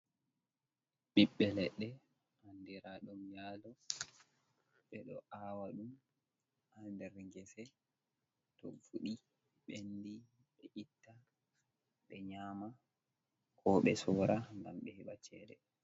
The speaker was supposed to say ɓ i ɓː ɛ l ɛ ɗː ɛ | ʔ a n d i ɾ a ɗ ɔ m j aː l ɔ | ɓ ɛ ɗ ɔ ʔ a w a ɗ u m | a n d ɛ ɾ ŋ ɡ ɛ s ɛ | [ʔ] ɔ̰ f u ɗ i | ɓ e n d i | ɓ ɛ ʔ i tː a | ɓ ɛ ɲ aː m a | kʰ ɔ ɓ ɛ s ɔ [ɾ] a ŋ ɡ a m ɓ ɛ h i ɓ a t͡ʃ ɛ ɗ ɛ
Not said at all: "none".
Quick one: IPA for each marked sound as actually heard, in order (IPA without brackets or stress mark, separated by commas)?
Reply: t, ɾ